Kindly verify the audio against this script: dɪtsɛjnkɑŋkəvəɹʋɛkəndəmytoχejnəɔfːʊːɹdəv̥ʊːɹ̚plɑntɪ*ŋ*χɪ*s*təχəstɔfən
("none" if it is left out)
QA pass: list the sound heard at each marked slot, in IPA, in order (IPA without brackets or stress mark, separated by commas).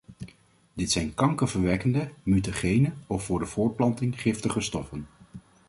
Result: ŋ, f